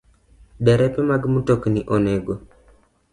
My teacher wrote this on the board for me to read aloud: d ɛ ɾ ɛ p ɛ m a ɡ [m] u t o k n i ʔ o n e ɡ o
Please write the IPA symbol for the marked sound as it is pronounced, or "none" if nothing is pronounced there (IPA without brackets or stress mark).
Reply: m